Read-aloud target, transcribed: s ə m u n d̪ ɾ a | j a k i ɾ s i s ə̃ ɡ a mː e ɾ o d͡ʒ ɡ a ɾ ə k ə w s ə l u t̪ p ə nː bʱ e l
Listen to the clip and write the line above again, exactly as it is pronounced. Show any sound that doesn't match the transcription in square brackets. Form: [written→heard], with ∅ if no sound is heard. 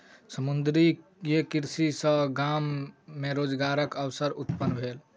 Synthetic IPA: s ə m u n d̪ ɾ [a→i] | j [a→e] k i ɾ s i s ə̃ ɡ a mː e ɾ o d͡ʒ ɡ a ɾ ə k ə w s ə [l→ɾ] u t̪ p ə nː bʱ e l